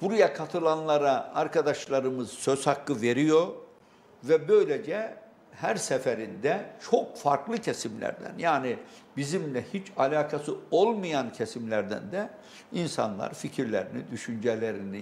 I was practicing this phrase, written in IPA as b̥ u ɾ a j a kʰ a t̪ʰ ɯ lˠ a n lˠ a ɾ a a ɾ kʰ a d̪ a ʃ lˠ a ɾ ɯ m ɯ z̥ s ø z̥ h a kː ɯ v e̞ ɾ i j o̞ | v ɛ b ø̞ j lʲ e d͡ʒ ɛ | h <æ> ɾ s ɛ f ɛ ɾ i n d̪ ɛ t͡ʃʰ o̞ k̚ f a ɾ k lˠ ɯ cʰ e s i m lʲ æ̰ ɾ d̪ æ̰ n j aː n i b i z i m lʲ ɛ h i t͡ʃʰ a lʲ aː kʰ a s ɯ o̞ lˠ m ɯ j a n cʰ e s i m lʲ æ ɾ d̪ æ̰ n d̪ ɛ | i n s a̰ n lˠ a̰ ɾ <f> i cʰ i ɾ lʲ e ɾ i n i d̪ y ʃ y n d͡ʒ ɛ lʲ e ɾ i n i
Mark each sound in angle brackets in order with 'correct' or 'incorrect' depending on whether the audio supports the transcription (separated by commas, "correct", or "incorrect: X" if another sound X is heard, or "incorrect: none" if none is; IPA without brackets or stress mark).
correct, correct